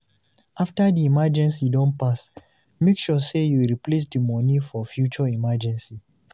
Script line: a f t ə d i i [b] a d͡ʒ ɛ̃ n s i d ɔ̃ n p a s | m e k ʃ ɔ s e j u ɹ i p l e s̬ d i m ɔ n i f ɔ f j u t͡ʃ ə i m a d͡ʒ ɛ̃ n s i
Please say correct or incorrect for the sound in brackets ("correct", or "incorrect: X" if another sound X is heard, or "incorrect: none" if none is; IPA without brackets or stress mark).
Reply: incorrect: m